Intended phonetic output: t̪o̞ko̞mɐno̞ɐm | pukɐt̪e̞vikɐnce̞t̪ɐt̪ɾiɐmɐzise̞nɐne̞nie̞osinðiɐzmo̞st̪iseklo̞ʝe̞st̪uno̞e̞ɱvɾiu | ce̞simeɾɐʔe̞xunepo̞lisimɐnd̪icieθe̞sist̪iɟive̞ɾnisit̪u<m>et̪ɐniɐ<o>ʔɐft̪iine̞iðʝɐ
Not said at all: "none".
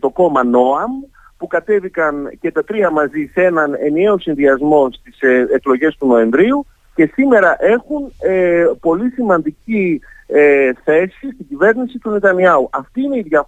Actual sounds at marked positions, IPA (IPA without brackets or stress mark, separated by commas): n, u